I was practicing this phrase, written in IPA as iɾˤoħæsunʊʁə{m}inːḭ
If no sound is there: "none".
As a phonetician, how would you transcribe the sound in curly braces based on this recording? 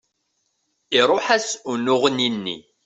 n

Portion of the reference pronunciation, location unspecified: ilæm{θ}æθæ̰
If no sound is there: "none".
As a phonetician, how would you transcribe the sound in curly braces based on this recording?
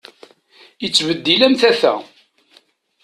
θ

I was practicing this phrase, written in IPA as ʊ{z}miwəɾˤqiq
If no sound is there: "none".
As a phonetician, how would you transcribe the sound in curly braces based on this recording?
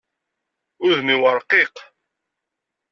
ð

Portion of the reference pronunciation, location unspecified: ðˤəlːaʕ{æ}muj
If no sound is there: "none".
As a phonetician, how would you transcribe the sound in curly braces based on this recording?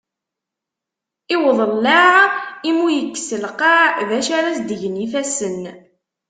i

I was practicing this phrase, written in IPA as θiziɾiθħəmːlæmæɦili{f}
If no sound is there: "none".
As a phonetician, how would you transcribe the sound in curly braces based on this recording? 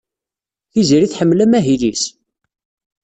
s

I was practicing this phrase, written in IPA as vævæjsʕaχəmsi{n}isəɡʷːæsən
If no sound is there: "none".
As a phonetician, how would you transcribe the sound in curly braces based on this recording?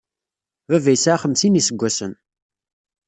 n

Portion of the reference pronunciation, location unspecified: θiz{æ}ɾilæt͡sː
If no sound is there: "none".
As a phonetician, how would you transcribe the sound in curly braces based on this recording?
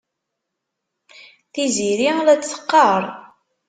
i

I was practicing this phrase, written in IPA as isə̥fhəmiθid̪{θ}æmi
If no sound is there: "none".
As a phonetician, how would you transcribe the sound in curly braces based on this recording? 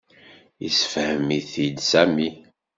s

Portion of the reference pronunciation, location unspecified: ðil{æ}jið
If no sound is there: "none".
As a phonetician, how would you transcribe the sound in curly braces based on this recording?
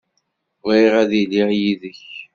i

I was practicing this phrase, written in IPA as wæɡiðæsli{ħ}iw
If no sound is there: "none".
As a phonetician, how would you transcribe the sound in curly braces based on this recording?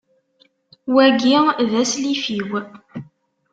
f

